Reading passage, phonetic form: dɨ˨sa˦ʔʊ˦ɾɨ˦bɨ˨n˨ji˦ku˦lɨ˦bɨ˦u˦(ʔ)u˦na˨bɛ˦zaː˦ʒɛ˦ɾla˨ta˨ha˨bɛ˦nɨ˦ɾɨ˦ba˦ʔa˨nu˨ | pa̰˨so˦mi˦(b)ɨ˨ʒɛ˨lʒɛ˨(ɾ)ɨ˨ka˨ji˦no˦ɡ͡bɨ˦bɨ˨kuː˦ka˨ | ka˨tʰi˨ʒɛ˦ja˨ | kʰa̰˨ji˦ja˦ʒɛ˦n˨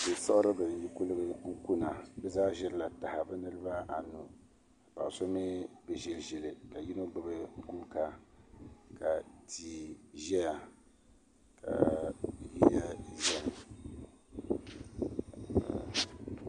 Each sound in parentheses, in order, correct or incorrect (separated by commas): incorrect, correct, incorrect